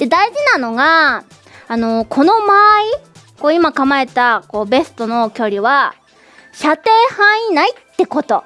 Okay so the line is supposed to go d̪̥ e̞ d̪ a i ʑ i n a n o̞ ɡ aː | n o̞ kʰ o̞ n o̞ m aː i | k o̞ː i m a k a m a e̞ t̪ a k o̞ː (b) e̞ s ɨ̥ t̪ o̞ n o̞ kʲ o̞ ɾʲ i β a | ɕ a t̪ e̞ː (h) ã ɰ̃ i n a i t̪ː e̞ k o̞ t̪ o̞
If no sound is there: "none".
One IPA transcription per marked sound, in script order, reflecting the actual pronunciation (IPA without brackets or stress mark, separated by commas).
b, h